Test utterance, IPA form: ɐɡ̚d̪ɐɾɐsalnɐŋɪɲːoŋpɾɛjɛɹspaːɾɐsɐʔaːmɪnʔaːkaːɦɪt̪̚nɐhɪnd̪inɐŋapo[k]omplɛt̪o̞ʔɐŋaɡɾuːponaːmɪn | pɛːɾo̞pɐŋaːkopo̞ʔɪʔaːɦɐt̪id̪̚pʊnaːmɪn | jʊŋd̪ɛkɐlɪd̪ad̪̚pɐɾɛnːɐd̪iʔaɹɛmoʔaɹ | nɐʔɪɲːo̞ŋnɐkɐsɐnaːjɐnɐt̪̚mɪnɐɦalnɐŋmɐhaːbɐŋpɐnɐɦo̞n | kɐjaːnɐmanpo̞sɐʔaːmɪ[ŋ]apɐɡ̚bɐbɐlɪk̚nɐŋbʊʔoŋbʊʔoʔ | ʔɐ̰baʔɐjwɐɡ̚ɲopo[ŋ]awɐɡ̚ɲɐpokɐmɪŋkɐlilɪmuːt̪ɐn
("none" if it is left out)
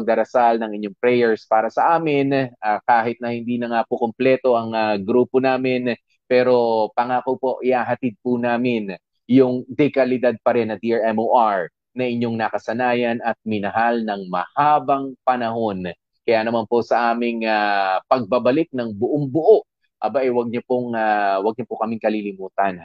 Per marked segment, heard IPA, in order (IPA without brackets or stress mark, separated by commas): k, ŋ, ŋ